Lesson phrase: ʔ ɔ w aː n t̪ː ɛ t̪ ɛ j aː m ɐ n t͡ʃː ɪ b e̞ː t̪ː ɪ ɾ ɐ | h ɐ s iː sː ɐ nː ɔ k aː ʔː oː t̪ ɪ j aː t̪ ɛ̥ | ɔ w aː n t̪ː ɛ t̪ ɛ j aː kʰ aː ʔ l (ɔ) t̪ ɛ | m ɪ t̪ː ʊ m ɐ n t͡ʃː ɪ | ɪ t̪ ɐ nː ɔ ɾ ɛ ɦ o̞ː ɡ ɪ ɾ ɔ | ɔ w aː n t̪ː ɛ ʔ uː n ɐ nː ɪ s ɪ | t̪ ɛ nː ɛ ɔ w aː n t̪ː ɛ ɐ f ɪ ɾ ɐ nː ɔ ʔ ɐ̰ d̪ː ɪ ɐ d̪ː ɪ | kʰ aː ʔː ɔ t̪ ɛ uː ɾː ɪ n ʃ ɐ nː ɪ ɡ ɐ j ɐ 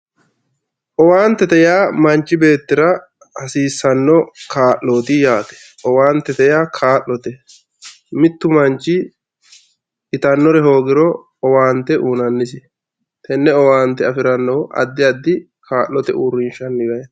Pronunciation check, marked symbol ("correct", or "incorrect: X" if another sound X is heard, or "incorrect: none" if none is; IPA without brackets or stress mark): correct